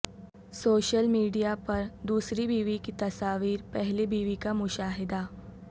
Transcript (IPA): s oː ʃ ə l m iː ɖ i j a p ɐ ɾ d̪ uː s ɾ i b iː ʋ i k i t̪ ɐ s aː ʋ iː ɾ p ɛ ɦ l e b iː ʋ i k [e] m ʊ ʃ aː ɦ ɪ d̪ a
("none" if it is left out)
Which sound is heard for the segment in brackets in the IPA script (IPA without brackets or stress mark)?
a